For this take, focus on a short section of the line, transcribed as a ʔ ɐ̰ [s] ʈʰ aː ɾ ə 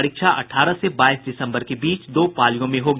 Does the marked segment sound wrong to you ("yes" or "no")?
yes